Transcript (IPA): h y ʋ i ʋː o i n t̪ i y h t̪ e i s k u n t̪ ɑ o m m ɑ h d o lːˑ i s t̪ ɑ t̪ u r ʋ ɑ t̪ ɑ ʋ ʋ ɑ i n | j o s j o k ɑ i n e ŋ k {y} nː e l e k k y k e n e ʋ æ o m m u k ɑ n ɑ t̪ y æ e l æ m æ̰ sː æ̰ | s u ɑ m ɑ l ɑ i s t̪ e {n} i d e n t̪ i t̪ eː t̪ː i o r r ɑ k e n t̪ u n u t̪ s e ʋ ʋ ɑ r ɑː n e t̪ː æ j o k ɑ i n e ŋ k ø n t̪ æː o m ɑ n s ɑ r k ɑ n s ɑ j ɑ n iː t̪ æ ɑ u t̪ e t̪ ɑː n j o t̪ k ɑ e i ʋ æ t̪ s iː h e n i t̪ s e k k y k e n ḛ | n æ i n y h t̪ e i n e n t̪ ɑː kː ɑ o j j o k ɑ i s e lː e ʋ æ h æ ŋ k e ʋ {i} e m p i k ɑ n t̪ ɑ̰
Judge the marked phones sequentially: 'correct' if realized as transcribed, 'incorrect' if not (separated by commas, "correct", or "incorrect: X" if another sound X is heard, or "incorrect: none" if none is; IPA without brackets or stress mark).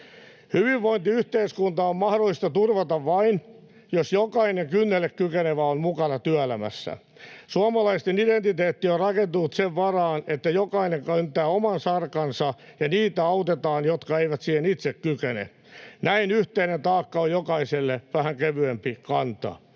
correct, correct, incorrect: y